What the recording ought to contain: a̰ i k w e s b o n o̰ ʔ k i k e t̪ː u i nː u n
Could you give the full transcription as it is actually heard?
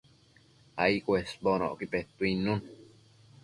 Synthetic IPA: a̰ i k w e s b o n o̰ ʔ k i p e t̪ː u i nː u n